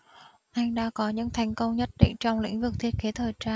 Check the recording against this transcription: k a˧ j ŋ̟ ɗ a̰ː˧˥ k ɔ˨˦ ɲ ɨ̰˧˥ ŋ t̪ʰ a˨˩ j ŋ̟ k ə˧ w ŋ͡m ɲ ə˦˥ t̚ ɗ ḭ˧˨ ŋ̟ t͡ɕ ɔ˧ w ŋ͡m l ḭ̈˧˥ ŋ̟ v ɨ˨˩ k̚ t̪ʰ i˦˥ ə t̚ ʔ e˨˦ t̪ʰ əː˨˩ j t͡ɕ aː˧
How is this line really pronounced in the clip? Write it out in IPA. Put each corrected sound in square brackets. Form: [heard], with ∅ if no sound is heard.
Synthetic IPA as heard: [ʔ] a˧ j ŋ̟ ɗ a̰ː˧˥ k ɔ˨˦ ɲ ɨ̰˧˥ ŋ t̪ʰ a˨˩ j ŋ̟ k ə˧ w ŋ͡m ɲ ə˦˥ t̚ ɗ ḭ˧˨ ŋ̟ t͡ɕ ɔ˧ w ŋ͡m l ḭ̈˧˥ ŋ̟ v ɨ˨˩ k̚ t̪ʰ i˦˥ ə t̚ [k] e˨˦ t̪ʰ əː˨˩ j t͡ɕ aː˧